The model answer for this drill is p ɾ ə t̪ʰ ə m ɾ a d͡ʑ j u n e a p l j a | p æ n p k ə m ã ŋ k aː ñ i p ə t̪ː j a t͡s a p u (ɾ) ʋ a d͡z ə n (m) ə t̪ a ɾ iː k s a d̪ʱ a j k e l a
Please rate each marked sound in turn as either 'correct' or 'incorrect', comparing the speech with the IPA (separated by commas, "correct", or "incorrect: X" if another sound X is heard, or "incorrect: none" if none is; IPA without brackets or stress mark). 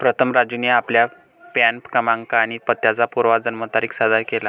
correct, correct